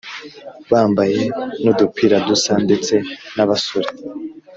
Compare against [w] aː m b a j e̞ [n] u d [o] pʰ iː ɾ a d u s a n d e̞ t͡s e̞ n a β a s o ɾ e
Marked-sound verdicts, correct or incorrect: incorrect, correct, incorrect

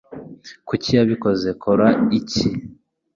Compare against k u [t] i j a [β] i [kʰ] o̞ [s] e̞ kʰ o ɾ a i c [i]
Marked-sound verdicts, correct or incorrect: incorrect, correct, incorrect, incorrect, correct

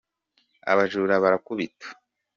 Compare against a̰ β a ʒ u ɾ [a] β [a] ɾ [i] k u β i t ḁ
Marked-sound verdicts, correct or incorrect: correct, correct, incorrect

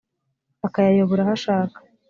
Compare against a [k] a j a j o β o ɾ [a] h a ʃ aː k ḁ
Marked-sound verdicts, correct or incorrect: correct, correct

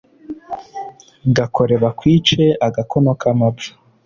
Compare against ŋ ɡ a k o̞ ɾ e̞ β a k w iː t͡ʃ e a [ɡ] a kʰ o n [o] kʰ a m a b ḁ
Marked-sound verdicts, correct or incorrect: correct, correct

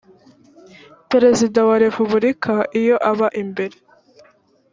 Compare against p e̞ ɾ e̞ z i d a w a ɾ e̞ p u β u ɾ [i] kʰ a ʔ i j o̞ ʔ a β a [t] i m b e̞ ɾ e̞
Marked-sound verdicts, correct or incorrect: correct, incorrect

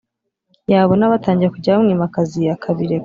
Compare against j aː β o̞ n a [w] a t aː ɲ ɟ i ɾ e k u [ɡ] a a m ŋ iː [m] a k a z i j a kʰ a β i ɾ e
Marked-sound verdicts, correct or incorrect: incorrect, incorrect, correct

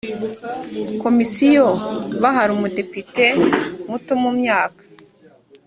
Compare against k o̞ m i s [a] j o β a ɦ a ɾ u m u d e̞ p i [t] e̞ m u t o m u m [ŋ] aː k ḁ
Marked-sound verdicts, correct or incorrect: incorrect, correct, incorrect

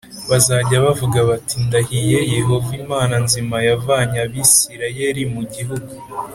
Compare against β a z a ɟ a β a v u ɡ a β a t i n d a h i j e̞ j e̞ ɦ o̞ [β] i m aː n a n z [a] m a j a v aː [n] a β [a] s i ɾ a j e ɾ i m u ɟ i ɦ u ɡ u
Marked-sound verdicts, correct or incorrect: incorrect, incorrect, incorrect, incorrect

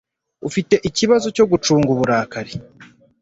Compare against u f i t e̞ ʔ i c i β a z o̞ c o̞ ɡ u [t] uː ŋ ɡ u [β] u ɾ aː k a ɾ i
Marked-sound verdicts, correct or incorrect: incorrect, correct

